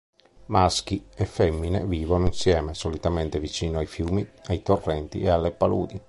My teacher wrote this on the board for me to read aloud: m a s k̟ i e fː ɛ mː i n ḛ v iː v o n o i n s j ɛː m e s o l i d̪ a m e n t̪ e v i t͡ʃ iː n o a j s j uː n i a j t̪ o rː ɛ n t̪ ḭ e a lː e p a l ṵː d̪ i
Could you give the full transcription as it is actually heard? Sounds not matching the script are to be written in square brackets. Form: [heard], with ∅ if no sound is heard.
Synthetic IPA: m a s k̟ i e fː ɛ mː i n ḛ v iː v o n o i n s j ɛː m e s o l i [t̪] a m e n t̪ e v i t͡ʃ iː n o a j [f] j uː [m] i a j t̪ o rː ɛ n t̪ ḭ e a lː e p a l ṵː d̪ i

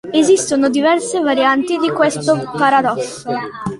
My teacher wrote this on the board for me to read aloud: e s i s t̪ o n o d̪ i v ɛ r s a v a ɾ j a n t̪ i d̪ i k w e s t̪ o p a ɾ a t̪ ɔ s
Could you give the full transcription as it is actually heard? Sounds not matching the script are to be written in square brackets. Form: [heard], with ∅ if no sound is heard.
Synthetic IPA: e [z] i s t̪ o n o d̪ i v ɛ r s [e] v a ɾ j a n t̪ i d̪ i k w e s t̪ o p a ɾ a [d̪] ɔ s

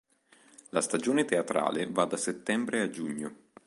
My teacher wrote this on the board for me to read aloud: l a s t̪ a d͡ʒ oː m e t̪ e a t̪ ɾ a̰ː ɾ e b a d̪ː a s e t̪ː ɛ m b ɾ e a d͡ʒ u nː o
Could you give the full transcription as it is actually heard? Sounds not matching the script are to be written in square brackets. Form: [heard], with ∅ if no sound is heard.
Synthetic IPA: l a s t̪ a d͡ʒ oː [n] e t̪ e a t̪ ɾ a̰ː [l] e [v] a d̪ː a s e t̪ː ɛ m b ɾ e a d͡ʒ u [ɲː] o

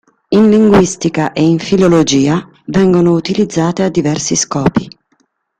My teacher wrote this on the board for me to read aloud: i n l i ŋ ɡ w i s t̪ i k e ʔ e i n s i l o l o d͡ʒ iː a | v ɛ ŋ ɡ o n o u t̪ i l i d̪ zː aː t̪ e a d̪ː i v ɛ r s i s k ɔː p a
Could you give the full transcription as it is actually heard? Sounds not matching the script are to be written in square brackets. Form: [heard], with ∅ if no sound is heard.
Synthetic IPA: i n l i ŋ ɡ w i s t̪ i k [a] ʔ e i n [f] i l o l o d͡ʒ iː a | v ɛ ŋ ɡ o n o u t̪ i l i d̪ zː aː t̪ e a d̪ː i v ɛ r s i s k ɔː p [i]

